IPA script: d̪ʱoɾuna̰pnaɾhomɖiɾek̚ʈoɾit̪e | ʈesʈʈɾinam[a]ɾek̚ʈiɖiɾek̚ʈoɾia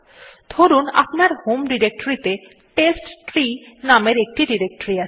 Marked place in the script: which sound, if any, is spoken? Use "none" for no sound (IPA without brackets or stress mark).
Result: e